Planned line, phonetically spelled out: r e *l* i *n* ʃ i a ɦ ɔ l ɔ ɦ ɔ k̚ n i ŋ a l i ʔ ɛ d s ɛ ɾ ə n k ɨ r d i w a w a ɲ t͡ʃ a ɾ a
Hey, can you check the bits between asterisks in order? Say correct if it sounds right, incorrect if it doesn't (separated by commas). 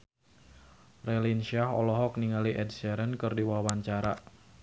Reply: correct, correct